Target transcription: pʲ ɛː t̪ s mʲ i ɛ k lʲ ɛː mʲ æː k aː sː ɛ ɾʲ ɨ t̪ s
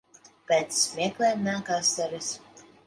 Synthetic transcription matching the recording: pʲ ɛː t̪ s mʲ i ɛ k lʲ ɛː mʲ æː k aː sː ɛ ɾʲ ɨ s